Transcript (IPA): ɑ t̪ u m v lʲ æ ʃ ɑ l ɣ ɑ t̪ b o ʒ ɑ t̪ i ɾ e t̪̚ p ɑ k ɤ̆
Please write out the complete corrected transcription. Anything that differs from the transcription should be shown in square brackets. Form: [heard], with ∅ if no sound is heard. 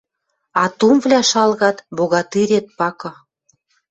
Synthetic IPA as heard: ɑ t̪ u m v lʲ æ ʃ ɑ l ɣ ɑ t̪ b o [ɣ] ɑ t̪ i ɾ e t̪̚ p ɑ k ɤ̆